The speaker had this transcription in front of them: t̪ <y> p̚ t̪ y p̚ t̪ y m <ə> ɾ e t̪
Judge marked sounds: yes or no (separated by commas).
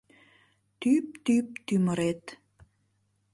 yes, yes